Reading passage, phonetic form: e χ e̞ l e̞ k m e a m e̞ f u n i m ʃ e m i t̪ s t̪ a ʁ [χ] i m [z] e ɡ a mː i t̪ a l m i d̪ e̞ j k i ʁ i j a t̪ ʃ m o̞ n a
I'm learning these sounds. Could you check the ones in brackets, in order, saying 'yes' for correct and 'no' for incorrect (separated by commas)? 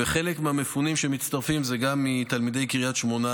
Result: no, yes